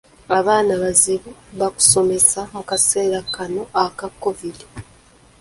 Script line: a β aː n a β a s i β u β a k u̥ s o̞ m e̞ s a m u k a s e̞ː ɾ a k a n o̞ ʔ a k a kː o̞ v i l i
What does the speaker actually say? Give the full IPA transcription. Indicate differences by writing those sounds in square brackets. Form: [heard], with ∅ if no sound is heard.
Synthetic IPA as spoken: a β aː n a β a [z] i β u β a k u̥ s o̞ m e̞ s a m u k a s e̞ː ɾ a k a n o̞ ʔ a k a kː o̞ v i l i